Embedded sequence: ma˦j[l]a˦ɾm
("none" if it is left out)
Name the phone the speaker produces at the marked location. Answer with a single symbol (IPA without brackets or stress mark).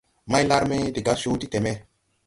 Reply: l